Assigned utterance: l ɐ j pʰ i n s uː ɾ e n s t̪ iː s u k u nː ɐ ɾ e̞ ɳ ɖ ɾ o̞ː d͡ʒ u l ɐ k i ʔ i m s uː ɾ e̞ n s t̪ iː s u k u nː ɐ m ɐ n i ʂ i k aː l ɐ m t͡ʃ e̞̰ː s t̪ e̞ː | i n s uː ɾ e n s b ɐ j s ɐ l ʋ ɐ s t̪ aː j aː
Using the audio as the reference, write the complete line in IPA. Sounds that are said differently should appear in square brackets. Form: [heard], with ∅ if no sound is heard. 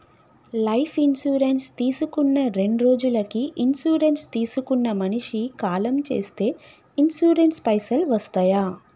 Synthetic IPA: l ɐ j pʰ i n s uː ɾ e n s t̪ iː s u k u nː ɐ ɾ e̞ ɳ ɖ ɾ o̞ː d͡ʒ u l ɐ k i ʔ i [n] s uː ɾ e̞ n s t̪ iː s u k u nː ɐ m ɐ n i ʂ i k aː l ɐ m t͡ʃ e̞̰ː s t̪ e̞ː | i n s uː ɾ e n s [p] ɐ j s ɐ l ʋ ɐ s t̪ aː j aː